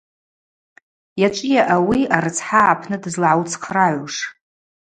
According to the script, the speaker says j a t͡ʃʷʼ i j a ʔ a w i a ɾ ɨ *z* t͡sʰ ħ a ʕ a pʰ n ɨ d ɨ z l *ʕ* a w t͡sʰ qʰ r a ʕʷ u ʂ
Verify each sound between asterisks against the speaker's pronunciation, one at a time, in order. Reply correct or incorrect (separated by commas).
incorrect, correct